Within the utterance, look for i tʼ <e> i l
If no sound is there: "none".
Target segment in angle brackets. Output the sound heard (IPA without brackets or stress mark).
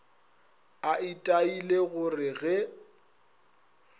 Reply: a